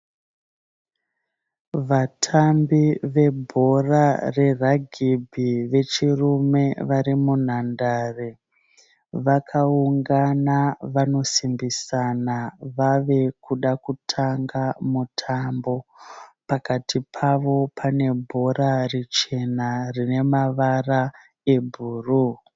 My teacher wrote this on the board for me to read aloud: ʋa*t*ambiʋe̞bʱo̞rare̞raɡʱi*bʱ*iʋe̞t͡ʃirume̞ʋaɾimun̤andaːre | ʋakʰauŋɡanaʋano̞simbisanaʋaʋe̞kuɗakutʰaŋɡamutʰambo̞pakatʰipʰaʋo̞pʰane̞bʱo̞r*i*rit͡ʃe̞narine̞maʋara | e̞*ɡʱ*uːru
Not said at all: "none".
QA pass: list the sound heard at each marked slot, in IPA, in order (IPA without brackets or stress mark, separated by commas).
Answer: tʰ, bʱ, a, bʱ